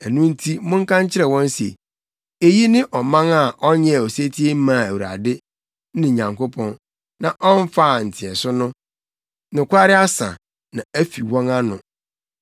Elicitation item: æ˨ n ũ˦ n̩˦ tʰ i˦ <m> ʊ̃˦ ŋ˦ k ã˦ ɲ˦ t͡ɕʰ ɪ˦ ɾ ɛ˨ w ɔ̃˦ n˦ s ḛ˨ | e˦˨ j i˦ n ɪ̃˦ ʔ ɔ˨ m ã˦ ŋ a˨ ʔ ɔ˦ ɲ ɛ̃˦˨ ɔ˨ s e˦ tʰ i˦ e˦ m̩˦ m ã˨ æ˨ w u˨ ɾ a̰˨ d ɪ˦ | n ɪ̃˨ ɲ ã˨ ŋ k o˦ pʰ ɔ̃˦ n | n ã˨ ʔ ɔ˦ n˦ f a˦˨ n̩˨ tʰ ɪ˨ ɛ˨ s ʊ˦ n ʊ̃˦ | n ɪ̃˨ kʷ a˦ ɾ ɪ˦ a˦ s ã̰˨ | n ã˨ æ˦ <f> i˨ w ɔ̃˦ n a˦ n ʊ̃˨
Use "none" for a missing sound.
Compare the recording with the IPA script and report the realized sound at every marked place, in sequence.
m, f

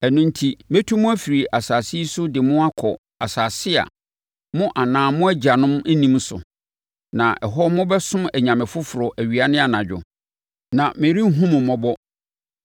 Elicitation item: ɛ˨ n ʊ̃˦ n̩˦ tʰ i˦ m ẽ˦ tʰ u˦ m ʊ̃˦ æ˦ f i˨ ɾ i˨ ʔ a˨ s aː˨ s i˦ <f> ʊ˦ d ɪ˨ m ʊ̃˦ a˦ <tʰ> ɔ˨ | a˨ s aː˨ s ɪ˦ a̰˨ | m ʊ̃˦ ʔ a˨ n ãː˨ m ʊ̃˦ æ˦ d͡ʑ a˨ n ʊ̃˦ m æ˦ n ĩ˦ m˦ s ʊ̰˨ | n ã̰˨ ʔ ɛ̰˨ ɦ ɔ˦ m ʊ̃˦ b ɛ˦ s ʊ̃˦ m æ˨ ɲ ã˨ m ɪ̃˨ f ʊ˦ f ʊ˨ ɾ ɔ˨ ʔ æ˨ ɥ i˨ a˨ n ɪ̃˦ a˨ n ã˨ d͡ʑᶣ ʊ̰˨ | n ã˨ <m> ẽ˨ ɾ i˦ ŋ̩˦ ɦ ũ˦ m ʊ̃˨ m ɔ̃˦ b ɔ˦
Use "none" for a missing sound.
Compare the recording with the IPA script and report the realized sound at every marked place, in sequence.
s, kʰ, m

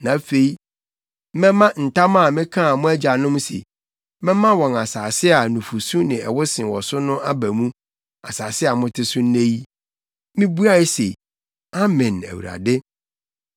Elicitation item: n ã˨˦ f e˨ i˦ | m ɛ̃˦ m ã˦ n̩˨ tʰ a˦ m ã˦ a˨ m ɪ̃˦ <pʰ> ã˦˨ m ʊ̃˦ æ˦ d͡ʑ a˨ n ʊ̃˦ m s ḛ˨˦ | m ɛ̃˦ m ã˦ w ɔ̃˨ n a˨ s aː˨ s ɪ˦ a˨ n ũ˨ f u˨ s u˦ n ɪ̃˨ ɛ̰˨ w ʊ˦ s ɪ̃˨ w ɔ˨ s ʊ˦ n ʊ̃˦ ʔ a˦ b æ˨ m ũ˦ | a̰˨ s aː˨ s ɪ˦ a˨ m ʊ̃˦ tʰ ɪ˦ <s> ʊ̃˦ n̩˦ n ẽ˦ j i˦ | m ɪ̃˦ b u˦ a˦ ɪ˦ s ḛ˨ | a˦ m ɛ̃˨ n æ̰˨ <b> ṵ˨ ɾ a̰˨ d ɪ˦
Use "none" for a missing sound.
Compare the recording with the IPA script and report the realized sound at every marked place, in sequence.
kʰ, s, w

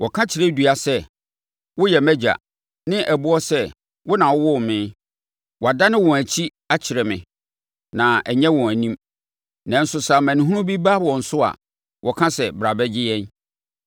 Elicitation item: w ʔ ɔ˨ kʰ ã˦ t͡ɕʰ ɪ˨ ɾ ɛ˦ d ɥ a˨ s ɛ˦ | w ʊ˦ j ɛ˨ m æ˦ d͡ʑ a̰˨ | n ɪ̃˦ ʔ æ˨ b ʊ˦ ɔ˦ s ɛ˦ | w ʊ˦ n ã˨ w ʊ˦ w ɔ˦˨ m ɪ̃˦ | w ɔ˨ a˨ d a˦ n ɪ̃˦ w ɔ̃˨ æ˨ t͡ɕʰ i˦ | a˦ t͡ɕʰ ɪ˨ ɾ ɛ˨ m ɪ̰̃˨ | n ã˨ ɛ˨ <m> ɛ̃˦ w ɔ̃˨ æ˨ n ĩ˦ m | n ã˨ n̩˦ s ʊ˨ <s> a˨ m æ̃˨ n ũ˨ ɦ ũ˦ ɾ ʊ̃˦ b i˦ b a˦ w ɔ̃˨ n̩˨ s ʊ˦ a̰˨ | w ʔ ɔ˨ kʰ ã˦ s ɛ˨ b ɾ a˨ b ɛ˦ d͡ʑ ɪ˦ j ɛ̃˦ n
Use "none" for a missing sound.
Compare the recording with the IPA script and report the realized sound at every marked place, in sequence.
ɲ, s

